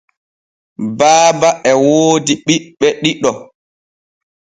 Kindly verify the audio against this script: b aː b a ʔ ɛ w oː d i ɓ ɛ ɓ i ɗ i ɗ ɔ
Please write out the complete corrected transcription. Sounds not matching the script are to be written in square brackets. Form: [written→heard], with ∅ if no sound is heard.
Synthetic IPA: b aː b a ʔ ɛ w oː d i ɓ [ɛ→i] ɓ [i→ɛ] ɗ i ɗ ɔ